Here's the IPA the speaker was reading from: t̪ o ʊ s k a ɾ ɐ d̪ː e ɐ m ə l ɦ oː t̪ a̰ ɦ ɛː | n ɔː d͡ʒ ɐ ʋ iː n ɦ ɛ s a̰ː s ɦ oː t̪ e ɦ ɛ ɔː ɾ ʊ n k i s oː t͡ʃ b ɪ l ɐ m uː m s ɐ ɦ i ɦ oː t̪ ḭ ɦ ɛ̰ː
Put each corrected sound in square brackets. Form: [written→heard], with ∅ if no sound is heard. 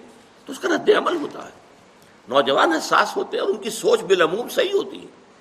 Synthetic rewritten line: t̪ o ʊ s k a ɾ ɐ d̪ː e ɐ m ə l ɦ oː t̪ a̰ ɦ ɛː | n ɔː d͡ʒ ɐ ʋ [iː→aː] n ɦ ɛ s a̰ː s ɦ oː t̪ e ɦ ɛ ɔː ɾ ʊ n k i s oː t͡ʃ b ɪ l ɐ m uː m s ɐ ɦ i ɦ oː t̪ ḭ ɦ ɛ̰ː